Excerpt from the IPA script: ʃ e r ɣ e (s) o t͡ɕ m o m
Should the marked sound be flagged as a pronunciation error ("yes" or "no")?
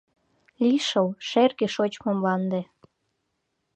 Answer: yes